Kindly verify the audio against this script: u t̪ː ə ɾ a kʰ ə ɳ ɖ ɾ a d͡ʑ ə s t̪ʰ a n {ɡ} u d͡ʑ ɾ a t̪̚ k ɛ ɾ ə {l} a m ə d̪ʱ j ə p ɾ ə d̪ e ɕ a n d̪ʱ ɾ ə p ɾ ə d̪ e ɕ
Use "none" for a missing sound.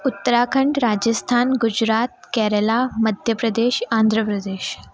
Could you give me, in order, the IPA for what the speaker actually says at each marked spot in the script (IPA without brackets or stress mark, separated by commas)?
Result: ɡ, l